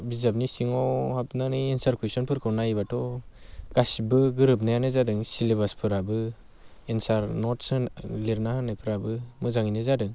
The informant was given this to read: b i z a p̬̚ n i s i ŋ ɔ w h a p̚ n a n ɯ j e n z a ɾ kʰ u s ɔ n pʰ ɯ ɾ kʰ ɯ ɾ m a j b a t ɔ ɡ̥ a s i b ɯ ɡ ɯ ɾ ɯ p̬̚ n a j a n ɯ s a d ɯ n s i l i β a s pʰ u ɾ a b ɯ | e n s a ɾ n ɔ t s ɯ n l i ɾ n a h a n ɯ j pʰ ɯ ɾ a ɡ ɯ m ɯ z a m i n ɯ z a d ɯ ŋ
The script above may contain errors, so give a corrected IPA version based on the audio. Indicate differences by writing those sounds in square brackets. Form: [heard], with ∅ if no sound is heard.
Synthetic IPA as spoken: b i z a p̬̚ n i s i ŋ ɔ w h a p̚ n a n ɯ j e n [s] a ɾ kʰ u s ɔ n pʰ ɯ ɾ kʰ ɯ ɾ [n] a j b a t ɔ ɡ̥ a s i b ɯ ɡ ɯ ɾ ɯ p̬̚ n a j a n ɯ [z] a d ɯ [ŋ] s i l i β a s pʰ [ɯ] ɾ a b ɯ | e n s a ɾ n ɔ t s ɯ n l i ɾ n a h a n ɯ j pʰ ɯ ɾ a [b] ɯ m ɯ z a [ŋ] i n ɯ z a d ɯ ŋ